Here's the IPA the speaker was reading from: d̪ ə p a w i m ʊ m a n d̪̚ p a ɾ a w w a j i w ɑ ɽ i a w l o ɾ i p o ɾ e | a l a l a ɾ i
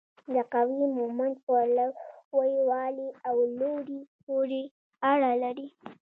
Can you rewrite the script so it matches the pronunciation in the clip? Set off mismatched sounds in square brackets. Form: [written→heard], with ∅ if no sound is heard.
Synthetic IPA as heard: d̪ ə [p→q] a w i m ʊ m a n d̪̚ p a [ɾ→l] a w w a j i w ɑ [ɽ→l] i a w l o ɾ i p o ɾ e | a [l→ɽ] a l a ɾ i